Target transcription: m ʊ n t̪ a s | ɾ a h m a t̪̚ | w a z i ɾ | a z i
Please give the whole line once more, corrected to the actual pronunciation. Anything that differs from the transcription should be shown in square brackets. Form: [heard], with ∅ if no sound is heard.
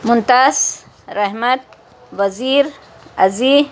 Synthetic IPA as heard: m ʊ n t̪ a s | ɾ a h m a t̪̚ | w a z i ɾ | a z i